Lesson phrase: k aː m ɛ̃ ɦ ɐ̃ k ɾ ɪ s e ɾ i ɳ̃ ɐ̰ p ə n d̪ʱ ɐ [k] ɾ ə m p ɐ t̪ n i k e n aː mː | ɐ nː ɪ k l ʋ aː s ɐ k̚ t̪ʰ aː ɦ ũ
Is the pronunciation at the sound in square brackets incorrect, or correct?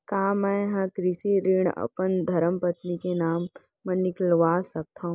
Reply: incorrect